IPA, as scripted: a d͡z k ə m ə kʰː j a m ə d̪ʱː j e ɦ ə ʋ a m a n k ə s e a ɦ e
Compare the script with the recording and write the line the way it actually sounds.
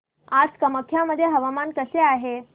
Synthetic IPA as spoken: a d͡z k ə m ə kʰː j a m ə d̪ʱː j e ɦ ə ʋ a m a n k ə s e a ɦ e